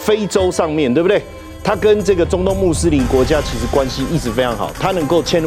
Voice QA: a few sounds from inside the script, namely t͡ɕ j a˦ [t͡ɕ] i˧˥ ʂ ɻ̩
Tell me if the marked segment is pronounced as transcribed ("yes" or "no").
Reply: no